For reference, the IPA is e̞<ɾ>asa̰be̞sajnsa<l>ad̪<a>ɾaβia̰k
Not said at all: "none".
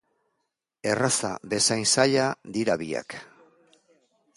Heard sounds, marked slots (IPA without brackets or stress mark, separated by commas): r, ʎ, i